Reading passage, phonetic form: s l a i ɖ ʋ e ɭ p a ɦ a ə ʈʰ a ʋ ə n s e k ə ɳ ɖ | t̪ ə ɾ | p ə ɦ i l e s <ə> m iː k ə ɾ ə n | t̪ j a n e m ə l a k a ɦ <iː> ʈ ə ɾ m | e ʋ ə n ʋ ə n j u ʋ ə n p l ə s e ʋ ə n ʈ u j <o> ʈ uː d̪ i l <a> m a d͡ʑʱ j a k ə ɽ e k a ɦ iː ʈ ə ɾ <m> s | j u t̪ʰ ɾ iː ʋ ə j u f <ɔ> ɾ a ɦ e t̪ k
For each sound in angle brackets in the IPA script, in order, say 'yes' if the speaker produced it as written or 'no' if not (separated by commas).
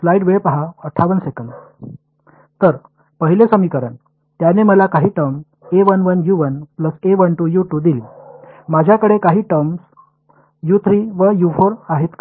yes, yes, no, no, yes, no